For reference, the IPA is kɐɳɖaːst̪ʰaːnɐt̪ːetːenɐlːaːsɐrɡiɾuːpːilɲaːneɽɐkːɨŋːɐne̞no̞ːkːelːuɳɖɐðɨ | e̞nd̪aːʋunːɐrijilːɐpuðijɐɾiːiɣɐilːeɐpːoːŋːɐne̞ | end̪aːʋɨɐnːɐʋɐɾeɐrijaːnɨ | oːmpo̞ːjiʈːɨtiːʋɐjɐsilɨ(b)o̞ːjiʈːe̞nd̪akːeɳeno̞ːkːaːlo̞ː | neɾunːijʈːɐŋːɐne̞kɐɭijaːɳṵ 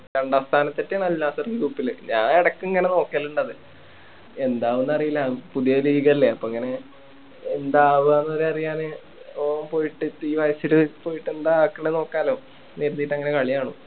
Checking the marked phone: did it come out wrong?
yes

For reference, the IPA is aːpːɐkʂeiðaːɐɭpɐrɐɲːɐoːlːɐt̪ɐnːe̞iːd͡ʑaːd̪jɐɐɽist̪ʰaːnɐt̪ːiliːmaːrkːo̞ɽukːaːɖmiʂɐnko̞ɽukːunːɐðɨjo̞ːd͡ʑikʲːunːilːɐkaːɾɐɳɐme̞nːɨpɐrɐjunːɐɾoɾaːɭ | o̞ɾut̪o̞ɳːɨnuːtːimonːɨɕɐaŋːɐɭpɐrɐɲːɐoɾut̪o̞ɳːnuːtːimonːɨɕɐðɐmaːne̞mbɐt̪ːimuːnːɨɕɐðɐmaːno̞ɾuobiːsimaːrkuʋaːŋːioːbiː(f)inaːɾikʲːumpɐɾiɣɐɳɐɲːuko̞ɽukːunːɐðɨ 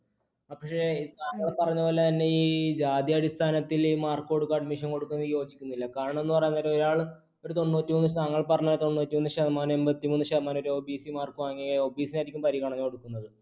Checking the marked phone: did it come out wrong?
yes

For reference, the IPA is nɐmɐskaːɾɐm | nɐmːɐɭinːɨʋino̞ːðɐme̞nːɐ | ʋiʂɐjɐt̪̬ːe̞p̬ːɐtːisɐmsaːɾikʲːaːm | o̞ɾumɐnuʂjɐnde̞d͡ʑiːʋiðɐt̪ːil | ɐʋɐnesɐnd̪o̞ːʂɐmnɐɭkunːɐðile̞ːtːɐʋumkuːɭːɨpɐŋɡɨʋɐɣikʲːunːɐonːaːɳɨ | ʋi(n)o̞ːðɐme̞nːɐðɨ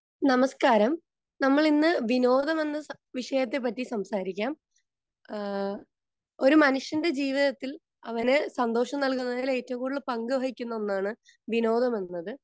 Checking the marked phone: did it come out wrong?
no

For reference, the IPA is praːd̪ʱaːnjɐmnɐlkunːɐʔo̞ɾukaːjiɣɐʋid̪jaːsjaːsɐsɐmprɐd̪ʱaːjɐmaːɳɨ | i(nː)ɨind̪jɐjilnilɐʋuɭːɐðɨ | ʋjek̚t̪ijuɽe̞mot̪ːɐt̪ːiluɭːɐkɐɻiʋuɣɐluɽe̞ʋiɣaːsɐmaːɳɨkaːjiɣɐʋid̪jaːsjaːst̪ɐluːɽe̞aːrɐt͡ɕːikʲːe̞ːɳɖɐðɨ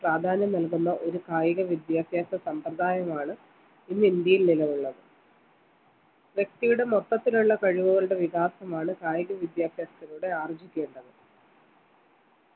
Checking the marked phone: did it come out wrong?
no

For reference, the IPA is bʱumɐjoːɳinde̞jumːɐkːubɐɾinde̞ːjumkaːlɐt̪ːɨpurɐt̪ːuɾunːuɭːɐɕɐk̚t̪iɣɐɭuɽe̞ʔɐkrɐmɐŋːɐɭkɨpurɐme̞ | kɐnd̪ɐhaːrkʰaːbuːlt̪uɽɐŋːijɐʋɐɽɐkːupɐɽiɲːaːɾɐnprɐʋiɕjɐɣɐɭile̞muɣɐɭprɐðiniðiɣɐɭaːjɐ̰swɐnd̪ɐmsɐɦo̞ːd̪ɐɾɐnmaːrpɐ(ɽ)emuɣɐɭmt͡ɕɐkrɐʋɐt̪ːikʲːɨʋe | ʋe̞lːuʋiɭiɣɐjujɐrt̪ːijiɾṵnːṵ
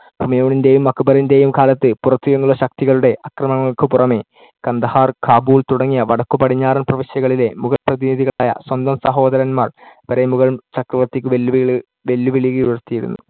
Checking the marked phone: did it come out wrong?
yes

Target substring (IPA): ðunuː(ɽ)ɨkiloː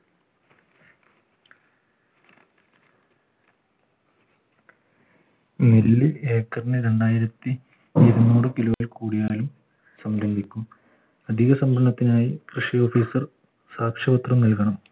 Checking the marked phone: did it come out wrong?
no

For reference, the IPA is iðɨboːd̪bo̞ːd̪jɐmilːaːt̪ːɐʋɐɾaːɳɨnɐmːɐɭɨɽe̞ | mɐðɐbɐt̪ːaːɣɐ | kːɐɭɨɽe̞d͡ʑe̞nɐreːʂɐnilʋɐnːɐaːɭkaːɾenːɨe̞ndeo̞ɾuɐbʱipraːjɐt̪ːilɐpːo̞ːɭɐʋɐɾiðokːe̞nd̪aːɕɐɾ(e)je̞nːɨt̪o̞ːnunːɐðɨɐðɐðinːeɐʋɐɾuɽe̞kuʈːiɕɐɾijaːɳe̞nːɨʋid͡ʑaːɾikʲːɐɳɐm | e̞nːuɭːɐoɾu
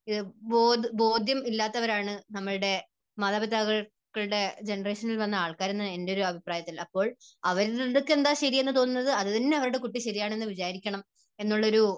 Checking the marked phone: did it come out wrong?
yes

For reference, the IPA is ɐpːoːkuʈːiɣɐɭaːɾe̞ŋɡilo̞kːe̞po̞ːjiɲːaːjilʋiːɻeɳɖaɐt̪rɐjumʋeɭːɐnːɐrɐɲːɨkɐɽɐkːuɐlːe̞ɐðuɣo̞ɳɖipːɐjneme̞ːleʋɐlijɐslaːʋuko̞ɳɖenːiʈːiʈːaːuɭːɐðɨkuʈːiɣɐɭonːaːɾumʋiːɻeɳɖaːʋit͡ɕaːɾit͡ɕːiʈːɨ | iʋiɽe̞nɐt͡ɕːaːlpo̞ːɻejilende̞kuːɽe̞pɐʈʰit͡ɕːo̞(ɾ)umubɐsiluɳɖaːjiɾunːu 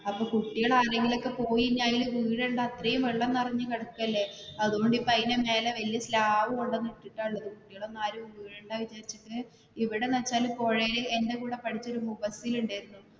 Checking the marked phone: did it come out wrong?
no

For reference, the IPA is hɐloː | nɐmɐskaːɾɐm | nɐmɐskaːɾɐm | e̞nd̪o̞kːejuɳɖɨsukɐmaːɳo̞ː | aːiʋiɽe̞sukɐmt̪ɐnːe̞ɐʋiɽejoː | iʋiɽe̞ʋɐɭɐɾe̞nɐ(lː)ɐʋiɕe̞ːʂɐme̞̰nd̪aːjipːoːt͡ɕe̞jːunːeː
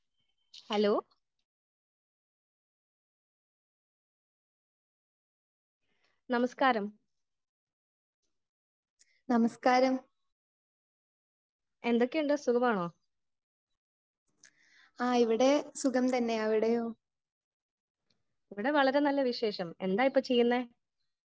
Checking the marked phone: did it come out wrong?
no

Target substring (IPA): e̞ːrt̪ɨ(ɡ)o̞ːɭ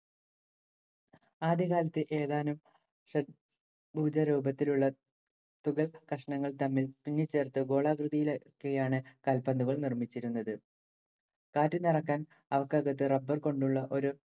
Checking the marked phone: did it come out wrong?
no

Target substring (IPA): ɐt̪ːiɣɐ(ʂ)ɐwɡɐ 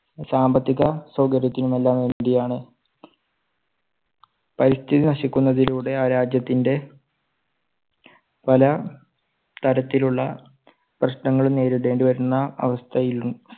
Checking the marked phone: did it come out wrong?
yes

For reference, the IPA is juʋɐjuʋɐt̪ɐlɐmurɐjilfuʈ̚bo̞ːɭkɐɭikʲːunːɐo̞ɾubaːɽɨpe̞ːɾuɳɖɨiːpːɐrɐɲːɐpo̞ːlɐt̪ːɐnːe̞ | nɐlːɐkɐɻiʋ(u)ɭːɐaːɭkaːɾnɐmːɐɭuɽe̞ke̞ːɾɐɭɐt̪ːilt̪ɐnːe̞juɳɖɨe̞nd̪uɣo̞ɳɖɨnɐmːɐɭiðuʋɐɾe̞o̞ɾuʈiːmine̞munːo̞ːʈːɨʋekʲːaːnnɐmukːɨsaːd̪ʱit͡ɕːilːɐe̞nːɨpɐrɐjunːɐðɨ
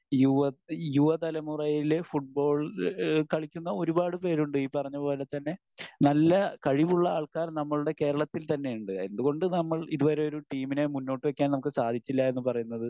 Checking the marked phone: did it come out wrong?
no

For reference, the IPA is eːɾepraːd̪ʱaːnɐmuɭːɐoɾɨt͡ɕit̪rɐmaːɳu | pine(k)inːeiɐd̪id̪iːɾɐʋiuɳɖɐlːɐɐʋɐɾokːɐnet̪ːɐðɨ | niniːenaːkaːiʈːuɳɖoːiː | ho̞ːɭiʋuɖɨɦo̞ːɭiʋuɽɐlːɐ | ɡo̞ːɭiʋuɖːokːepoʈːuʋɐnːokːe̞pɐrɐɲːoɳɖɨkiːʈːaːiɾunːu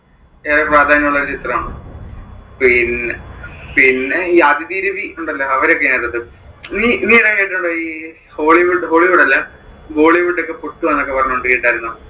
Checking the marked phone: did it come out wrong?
yes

